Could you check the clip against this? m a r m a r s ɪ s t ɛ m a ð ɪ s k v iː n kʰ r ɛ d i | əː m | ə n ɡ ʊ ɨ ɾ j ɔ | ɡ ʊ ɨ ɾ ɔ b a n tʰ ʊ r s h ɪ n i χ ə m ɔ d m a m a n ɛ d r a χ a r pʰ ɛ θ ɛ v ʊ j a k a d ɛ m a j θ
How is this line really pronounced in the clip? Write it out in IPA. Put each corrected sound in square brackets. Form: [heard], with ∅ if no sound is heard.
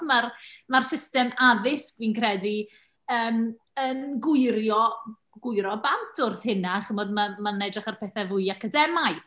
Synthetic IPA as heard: m a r m a r s ɪ s t ɛ m a ð ɪ s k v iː n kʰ r ɛ d i | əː m | ə n ɡ ʊ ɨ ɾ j ɔ | ɡ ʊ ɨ ɾ ɔ b a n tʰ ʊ r [θ] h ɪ n [a] χ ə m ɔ d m a m a n ɛ d r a χ a r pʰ ɛ θ ɛ v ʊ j a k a d ɛ m a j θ

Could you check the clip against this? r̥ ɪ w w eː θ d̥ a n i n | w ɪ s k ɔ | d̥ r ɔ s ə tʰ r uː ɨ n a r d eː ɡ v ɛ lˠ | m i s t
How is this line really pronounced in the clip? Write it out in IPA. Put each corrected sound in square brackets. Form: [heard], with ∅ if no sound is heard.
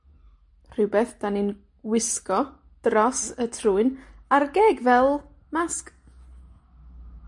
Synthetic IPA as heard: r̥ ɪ w [b] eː θ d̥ a n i n | w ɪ s k ɔ | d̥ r ɔ s ə tʰ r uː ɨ n a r [ɡ] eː ɡ v ɛ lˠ | m [a] s [k]

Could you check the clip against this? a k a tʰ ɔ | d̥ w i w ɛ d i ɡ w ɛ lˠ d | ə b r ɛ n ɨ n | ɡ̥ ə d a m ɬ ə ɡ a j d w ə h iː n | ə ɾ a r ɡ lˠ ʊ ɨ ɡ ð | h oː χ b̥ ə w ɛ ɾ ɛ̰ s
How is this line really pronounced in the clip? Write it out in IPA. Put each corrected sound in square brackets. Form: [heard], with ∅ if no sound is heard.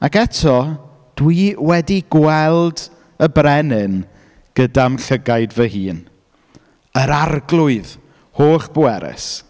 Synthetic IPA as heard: a k [ɛ] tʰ ɔ | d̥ w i w ɛ d i ɡ w ɛ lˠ d | ə b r ɛ n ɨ n | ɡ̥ ə d a m ɬ ə ɡ a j d [v] ə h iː n | ə ɾ a r ɡ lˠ ʊ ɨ [∅] ð | h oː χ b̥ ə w ɛ ɾ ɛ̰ s

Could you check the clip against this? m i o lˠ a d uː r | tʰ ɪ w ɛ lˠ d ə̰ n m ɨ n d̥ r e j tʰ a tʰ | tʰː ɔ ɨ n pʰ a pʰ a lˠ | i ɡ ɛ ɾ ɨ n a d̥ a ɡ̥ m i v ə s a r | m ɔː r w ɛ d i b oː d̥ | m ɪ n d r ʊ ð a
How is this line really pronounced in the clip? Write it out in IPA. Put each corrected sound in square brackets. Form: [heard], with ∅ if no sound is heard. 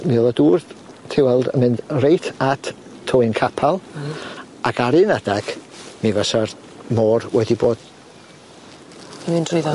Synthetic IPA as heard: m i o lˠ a d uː r | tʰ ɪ w ɛ lˠ d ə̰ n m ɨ n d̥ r e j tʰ a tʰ | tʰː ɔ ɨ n [kʰ] a pʰ a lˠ | [a] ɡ [a] ɾ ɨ n a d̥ a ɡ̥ m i v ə s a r | m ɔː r w ɛ d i b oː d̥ | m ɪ n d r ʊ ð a

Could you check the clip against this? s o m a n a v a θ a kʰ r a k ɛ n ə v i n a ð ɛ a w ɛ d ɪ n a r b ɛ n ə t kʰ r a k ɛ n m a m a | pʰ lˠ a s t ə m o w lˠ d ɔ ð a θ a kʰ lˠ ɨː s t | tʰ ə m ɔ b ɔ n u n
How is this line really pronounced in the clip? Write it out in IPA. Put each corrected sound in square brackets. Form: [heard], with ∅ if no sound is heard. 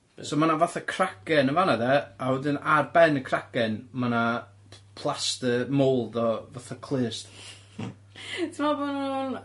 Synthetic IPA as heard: s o m a n a v a θ a kʰ r a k ɛ n ə v [a] n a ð ɛ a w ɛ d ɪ n a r b ɛ n ə [∅] kʰ r a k ɛ n m a [n] a | pʰ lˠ a s t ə m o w lˠ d ɔ [v] a θ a kʰ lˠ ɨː s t | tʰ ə m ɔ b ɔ n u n

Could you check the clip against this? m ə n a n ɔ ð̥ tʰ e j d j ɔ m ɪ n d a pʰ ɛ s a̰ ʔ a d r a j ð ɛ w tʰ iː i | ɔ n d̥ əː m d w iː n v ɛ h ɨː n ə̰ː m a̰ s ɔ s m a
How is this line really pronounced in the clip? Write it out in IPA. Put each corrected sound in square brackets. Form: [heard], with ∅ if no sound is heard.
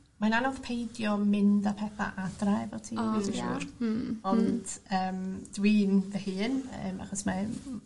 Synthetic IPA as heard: m [a] n a n ɔ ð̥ [pʰ] e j d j ɔ m ɪ n d a pʰ ɛ [θ] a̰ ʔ a d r a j [v] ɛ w tʰ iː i | ɔ n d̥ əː m d w iː n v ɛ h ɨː n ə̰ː m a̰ [χ] ɔ s m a

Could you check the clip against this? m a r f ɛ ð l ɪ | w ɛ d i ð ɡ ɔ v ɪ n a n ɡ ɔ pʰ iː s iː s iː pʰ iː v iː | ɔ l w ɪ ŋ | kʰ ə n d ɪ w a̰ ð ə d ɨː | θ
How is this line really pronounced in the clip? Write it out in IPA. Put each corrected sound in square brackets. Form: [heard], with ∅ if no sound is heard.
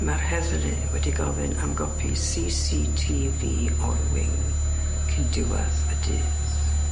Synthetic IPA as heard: m a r [h] ɛ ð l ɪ | w ɛ d i [∅] ɡ ɔ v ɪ n a [m] ɡ ɔ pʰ [i] s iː s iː [tʰ] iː v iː | ɔ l w ɪ ŋ | kʰ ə n d ɪ w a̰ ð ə d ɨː | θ

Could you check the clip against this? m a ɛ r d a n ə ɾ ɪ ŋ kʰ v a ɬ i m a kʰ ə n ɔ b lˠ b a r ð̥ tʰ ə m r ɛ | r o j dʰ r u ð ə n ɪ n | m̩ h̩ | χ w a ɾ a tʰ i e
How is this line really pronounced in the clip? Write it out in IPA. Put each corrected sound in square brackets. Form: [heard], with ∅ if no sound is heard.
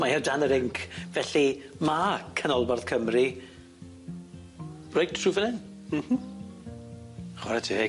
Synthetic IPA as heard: m a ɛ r d a n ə ɾ ɪ ŋ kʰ v [ɛ] ɬ i m a kʰ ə n ɔ [∅] lˠ b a r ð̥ [kʰ] ə m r [i] | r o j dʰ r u [v] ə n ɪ n | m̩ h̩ | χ w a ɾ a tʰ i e

